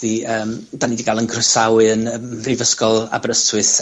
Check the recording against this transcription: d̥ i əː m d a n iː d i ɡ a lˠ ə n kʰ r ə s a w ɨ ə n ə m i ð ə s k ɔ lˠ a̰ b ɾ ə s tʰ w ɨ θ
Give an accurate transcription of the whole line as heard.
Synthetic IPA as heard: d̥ i əː m d a n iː d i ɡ a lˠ ə n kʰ r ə s a w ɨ ə n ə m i v ə s k ɔ lˠ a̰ b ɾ ə s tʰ w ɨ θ